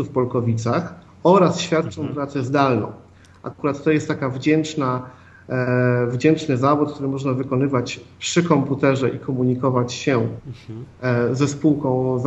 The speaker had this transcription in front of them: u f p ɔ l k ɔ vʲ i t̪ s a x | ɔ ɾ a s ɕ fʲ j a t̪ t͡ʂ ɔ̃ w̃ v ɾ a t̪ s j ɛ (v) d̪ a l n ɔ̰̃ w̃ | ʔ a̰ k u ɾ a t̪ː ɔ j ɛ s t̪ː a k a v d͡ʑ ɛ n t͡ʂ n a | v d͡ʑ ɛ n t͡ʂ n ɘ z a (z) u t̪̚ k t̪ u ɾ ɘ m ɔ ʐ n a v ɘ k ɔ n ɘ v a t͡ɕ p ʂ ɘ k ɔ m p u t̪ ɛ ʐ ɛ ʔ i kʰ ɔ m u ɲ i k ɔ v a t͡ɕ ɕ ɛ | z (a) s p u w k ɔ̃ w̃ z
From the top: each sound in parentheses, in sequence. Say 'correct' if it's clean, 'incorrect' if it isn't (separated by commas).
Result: incorrect, incorrect, incorrect